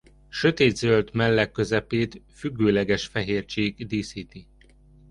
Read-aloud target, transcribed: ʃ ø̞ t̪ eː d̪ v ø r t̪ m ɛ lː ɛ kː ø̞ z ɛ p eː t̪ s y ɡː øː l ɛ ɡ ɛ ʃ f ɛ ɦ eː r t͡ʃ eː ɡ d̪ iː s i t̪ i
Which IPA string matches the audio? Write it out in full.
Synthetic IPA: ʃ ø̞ t̪ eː d̪ z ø l t̪ m ɛ lː ɛ kː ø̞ z ɛ p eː t̪ f y ɡː øː l ɛ ɡ ɛ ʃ f ɛ ɦ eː r t͡ʃ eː ɡ d̪ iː s i t̪ i